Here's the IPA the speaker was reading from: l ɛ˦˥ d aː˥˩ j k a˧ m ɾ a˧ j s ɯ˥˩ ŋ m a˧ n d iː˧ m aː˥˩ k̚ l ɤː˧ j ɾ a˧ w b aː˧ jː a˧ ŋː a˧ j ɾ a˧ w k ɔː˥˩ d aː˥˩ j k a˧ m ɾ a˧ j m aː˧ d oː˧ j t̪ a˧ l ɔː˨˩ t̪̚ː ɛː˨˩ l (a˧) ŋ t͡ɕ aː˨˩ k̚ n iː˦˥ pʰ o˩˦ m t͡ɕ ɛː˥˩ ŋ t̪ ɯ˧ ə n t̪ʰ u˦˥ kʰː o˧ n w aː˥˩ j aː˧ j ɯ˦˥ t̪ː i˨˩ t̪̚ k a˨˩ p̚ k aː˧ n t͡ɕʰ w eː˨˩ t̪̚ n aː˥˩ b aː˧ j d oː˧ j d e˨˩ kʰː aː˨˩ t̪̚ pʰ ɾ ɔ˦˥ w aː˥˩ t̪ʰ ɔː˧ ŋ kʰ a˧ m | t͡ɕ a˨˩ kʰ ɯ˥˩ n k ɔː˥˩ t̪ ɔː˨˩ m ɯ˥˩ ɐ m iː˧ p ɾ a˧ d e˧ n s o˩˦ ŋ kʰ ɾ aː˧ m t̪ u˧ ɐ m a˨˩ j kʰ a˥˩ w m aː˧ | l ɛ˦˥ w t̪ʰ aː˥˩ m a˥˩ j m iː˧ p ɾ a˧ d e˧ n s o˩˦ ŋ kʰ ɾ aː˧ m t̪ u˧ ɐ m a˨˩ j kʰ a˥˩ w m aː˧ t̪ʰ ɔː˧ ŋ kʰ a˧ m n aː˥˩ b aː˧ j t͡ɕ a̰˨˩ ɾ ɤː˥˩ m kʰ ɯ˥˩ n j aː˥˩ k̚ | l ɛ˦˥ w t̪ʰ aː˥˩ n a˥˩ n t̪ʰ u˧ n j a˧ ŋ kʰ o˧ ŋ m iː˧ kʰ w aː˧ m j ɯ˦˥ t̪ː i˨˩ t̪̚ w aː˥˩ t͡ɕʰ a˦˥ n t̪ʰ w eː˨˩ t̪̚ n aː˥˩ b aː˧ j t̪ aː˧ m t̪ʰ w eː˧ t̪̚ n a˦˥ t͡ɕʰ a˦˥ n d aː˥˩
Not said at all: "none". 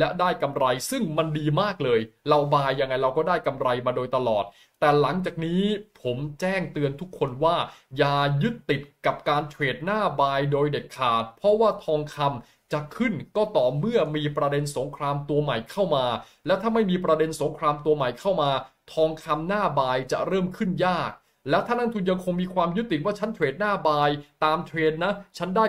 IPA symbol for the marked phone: a˩˦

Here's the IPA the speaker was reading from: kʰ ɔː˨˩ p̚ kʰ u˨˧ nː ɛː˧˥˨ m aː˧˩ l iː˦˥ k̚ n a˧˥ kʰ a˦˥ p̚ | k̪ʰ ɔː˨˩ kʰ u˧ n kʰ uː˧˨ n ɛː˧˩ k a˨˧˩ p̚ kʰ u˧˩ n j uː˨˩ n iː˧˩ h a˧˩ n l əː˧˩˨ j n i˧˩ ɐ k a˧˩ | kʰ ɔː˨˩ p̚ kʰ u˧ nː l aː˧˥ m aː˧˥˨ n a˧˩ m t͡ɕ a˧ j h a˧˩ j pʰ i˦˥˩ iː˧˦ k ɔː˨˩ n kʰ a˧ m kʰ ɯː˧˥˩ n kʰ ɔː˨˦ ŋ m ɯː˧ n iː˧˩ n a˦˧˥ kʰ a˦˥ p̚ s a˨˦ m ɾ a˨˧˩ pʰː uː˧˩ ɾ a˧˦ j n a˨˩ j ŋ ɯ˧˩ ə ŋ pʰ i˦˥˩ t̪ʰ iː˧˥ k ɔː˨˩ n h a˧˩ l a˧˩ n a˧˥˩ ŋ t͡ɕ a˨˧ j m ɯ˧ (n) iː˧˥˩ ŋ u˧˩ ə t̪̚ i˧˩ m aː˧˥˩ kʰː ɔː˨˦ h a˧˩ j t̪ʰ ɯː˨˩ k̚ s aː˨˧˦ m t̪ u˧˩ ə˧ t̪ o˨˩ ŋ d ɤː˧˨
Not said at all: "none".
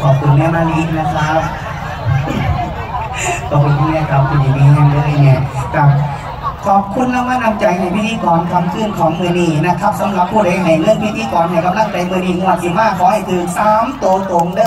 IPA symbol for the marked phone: n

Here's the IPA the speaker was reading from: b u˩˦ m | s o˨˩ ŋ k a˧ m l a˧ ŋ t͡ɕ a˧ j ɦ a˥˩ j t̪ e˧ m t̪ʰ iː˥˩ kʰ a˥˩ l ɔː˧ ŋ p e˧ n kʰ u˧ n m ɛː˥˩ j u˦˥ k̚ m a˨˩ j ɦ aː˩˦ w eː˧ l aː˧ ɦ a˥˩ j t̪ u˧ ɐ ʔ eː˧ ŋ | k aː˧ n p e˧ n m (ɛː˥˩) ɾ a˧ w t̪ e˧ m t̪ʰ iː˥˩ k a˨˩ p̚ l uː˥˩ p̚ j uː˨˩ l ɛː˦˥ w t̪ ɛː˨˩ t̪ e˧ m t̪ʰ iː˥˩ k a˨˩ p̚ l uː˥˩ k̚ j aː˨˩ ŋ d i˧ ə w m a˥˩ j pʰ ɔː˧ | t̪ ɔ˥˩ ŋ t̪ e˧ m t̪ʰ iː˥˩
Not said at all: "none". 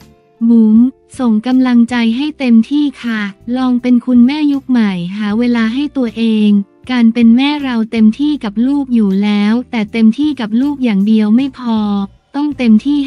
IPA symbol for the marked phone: ɛː˥˩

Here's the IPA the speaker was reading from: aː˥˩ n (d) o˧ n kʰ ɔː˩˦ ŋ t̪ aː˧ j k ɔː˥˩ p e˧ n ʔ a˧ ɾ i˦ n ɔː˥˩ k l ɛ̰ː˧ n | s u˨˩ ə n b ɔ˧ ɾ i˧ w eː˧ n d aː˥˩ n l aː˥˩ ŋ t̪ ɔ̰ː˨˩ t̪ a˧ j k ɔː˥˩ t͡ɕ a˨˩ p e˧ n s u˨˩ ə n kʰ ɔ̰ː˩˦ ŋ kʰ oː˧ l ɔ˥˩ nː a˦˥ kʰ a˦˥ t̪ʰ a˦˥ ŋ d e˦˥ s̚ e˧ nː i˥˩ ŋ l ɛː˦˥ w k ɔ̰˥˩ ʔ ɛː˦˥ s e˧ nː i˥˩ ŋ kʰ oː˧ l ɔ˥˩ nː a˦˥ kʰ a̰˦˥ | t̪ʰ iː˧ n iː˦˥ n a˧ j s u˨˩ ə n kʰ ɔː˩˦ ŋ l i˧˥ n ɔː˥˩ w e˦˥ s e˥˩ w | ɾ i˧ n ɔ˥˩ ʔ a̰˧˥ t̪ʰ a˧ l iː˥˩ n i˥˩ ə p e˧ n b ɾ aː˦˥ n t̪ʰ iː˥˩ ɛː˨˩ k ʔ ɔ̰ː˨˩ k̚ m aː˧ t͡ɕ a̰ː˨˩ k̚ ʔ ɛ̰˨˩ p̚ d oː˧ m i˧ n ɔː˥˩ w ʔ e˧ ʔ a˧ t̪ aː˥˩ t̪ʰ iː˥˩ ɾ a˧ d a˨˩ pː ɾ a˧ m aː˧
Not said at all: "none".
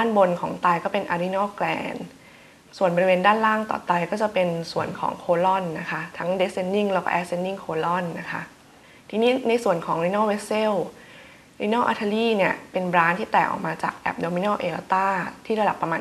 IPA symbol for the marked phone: b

